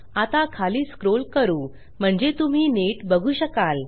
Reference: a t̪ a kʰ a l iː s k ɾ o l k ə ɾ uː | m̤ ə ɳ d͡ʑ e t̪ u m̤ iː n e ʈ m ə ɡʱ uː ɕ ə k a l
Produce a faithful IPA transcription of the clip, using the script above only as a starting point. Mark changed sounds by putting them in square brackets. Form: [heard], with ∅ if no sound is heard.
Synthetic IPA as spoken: a t̪ a kʰ a l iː s k ɾ o l k ə ɾ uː | m̤ ə ɳ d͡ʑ e t̪ u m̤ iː n e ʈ [b] ə ɡʱ uː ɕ ə k a l